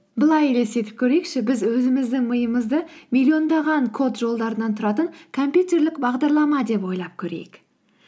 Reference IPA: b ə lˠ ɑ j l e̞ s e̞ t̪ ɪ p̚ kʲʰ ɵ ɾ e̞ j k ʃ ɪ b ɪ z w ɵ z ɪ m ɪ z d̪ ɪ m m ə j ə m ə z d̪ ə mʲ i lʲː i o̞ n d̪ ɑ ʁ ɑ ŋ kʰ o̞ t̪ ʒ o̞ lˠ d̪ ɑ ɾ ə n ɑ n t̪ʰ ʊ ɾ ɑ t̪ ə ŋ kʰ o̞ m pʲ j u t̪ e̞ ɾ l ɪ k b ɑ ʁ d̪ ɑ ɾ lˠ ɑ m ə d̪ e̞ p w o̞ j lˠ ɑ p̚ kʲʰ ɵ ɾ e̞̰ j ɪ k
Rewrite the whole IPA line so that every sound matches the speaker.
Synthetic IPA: b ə lˠ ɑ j l e̞ s e̞ t̪ ɪ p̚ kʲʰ ɵ ɾ e̞ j k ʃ ɪ b ɪ z w ɵ z ɪ m ɪ z d̪ ɪ ŋ m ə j ə m ə z d̪ ə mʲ i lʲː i o̞ n d̪ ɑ ʁ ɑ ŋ kʰ o̞ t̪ ʒ o̞ lˠ d̪ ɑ ɾ ə n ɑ n t̪ʰ ʊ ɾ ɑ t̪ ə ŋ kʰ o̞ m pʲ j u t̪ e̞ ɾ l ɪ k b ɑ ʁ d̪ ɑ ɾ lˠ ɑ m ɑ d̪ e̞ p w o̞ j lˠ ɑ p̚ kʲʰ ɵ ɾ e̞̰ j ɪ k